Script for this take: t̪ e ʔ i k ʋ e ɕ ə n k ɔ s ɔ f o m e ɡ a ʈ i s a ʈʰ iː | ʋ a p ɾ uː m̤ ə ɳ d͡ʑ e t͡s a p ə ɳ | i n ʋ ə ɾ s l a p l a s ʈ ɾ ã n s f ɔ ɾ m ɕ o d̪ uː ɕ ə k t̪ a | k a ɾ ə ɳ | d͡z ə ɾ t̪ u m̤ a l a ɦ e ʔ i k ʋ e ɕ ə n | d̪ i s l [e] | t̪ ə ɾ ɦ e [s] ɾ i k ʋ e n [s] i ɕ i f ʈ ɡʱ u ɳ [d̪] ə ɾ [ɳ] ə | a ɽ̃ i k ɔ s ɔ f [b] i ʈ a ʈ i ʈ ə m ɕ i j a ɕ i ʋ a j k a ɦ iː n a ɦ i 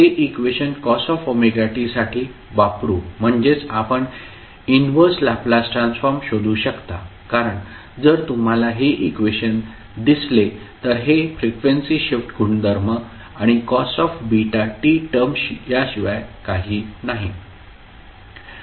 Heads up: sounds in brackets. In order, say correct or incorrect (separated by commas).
correct, incorrect, correct, correct, incorrect, correct